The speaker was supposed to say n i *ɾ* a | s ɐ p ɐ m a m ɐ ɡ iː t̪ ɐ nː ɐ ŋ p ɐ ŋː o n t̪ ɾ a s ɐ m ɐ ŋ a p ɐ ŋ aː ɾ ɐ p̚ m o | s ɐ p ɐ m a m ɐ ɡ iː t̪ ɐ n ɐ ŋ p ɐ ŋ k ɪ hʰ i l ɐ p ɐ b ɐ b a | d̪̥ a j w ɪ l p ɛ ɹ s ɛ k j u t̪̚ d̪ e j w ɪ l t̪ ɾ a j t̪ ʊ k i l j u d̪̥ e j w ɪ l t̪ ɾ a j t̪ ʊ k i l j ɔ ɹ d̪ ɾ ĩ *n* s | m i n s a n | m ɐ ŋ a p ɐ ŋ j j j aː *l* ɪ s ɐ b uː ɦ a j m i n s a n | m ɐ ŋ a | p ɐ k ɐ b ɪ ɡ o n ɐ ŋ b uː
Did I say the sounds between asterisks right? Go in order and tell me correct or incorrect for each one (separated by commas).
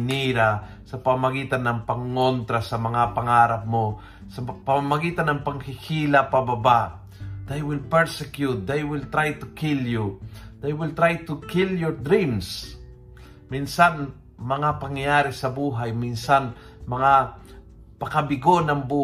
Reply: correct, incorrect, incorrect